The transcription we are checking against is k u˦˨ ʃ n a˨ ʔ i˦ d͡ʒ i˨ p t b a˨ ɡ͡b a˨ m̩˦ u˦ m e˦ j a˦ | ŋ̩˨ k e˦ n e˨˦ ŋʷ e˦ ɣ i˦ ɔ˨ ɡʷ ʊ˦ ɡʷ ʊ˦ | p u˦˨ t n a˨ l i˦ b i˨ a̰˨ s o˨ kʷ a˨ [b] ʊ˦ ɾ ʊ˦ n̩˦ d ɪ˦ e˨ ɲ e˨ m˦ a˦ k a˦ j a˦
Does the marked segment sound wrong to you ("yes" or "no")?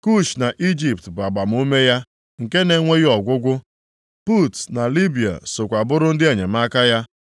no